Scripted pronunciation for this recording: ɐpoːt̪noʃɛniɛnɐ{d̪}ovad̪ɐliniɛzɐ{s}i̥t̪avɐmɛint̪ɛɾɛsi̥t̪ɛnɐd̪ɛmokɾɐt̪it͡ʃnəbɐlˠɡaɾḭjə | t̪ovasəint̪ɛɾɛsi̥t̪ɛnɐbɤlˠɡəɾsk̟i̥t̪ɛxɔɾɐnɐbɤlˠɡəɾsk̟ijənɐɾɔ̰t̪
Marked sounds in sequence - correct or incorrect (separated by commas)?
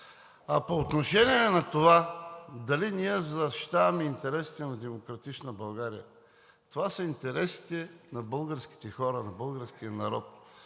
incorrect, incorrect